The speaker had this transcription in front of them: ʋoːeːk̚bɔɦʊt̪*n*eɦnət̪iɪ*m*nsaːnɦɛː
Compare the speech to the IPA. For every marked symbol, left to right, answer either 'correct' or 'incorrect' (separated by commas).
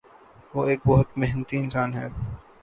incorrect, incorrect